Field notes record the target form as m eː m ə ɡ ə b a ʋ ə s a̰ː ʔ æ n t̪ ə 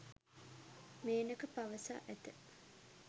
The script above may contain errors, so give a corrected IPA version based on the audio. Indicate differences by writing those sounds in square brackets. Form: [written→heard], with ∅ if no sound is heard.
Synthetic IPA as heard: m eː [m→n] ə [ɡ→k] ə [b→p] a ʋ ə s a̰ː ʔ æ [n→∅] t̪ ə